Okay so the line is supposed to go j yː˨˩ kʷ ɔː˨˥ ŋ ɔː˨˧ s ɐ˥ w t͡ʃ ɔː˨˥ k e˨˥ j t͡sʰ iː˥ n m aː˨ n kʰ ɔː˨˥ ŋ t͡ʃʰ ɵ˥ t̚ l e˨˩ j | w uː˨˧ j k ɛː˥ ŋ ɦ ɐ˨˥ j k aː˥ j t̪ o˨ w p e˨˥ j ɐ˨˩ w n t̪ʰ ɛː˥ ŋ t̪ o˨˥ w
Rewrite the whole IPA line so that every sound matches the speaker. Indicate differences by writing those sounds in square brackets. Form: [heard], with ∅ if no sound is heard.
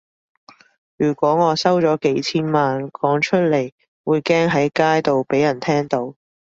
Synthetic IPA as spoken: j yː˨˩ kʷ ɔː˨˥ ŋ ɔː˨˧ s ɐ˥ w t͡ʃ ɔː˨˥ k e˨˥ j t͡sʰ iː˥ n m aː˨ n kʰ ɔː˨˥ ŋ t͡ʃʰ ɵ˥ t̚ l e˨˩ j | w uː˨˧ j k ɛː˥ ŋ ɦ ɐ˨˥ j k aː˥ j t̪ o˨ w p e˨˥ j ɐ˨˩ [∅] n t̪ʰ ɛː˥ ŋ t̪ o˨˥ w